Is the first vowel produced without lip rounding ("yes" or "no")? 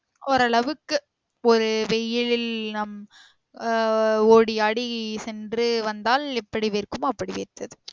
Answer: no